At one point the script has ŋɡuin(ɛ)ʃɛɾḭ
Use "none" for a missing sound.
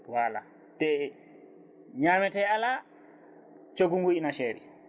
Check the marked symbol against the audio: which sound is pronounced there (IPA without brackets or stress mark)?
a